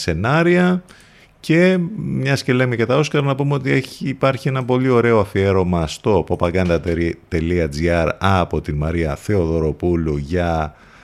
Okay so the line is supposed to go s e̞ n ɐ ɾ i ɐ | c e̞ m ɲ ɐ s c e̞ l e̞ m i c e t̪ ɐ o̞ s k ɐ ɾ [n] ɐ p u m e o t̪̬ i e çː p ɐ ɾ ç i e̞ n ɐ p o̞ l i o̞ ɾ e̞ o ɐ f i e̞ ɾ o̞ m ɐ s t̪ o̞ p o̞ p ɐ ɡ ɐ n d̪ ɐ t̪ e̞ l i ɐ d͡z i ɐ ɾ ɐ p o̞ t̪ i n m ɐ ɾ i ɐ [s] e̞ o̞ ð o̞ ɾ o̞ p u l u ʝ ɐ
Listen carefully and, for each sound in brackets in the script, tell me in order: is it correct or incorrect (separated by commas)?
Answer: correct, incorrect